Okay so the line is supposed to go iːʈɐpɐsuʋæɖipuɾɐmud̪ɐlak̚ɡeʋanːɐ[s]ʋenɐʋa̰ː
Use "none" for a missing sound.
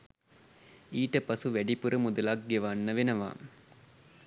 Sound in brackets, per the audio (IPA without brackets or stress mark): none